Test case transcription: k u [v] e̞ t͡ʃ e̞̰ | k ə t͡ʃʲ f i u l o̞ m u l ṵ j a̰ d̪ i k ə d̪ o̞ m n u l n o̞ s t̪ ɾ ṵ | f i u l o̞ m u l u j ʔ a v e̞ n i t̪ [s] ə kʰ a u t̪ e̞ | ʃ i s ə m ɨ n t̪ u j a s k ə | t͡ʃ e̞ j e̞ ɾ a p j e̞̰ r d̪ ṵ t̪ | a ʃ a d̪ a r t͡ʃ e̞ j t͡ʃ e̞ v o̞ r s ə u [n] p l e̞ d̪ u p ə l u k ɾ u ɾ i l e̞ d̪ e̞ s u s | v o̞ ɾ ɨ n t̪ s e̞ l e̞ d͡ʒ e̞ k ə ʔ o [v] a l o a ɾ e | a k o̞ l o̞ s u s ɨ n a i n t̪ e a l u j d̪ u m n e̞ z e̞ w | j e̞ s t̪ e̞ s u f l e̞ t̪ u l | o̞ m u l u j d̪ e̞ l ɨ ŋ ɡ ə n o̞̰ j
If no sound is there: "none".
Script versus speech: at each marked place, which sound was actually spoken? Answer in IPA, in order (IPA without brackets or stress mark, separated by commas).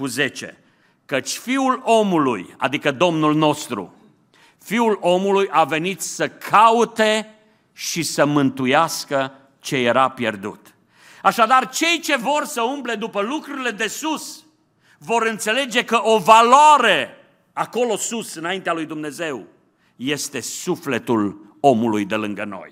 z, s, m, v